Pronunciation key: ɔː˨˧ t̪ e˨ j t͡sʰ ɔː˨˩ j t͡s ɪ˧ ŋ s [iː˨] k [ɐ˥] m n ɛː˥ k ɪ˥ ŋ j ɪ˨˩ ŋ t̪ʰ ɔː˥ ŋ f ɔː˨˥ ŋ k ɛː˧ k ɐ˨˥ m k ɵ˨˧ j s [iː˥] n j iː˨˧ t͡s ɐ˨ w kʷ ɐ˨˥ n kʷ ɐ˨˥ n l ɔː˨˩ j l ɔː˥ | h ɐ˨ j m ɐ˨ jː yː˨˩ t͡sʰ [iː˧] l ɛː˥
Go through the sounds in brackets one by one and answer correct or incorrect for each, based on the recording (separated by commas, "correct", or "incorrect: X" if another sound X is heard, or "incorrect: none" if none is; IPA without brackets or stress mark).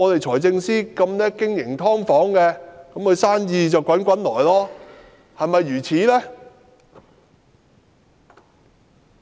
incorrect: iː˥, incorrect: ɐ˧, incorrect: aː˥, incorrect: iː˨˥